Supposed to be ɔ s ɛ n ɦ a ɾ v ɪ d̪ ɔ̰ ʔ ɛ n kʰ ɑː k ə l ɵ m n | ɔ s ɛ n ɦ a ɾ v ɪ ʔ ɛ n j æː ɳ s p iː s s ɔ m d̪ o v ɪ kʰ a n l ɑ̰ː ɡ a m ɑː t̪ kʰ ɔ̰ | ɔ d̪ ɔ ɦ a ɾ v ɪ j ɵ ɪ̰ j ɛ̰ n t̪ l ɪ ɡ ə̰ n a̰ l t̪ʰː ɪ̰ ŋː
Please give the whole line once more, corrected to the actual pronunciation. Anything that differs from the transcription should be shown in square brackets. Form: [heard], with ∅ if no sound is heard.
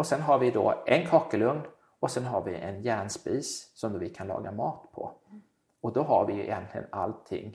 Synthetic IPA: ɔ s ɛ n ɦ a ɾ v ɪ d̪ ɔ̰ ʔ ɛ n kʰ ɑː k ə l ɵ [ŋ] n | ɔ s ɛ n ɦ a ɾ v ɪ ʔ ɛ n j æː ɳ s p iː s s ɔ m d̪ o v ɪ kʰ a n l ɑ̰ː ɡ a m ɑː t̪ [pʰ] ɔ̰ | ɔ d̪ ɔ ɦ a ɾ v ɪ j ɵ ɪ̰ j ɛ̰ n t̪ l ɪ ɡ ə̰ n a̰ l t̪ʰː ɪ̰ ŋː